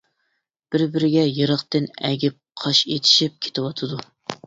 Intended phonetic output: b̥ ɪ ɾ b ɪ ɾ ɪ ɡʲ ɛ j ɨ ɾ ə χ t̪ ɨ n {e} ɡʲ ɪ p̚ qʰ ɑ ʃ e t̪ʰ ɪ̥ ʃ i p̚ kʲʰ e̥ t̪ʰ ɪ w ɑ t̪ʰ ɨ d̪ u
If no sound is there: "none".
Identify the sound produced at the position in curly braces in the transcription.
ɛ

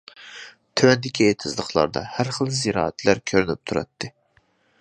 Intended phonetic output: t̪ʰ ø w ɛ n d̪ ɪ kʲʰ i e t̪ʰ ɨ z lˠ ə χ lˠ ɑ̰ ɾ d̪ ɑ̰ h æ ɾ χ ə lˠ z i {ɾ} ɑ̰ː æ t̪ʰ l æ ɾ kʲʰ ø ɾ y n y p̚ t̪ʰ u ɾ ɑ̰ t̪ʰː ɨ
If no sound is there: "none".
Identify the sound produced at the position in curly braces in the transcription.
ɾ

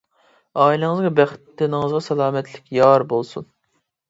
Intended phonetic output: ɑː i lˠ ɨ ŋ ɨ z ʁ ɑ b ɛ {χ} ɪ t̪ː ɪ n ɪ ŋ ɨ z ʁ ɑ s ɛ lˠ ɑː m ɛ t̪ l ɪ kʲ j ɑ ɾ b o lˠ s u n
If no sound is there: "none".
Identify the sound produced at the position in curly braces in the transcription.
χ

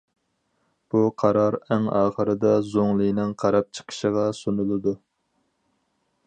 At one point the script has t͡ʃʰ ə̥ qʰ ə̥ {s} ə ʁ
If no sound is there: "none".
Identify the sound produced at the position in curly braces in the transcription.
ʃ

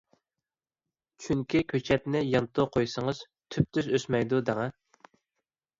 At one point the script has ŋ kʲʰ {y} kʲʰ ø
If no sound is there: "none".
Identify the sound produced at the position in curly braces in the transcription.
i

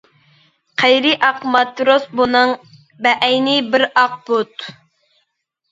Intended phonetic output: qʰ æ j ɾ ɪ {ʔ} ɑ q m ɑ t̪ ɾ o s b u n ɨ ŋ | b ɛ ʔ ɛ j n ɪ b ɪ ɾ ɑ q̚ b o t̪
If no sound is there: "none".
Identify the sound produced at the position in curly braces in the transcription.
ʔ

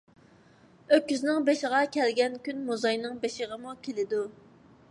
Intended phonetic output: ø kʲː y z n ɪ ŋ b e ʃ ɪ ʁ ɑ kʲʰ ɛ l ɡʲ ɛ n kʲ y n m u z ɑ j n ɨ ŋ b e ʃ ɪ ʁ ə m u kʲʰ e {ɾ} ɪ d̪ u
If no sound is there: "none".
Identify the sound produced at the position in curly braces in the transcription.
l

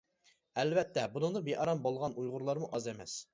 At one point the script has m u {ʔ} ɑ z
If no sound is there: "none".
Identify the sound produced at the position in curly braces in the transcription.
ʔ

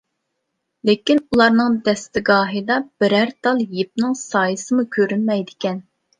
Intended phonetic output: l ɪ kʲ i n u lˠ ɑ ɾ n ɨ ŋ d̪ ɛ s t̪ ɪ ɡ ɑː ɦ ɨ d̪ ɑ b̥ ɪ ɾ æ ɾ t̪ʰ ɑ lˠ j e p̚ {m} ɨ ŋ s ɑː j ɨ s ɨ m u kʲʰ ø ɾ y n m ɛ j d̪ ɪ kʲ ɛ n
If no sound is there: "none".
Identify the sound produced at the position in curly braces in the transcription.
n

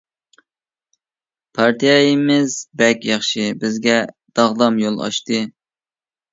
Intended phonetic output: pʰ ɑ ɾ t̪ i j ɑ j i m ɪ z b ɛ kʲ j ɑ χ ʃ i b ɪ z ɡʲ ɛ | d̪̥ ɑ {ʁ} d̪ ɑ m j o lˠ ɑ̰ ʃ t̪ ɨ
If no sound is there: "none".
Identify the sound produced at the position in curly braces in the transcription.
ʁ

